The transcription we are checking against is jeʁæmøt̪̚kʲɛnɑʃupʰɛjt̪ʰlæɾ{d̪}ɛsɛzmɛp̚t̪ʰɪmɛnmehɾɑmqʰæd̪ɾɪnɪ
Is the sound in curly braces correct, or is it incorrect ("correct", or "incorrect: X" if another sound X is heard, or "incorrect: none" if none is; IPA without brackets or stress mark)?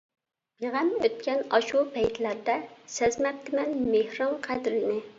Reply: correct